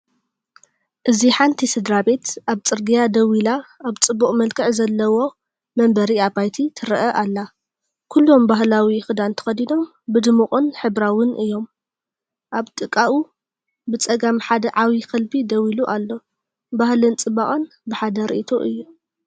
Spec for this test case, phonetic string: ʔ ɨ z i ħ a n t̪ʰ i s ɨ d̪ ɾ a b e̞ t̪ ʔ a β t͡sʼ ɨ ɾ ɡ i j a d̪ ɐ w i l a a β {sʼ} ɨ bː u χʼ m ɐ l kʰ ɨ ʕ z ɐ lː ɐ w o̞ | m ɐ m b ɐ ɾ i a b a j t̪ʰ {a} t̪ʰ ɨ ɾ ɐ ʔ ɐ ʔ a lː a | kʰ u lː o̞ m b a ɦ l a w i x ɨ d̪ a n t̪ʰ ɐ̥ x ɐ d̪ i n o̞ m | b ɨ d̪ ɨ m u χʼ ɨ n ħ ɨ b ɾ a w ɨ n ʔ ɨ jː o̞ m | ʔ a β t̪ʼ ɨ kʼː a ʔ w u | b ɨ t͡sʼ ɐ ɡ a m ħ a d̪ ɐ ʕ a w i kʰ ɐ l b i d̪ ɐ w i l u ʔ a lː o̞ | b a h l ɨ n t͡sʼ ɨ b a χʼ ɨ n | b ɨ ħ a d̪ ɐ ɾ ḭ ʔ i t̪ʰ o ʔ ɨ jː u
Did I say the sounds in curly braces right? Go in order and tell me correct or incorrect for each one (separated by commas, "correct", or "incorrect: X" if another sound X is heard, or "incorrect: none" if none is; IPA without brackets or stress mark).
incorrect: t͡sʼ, incorrect: i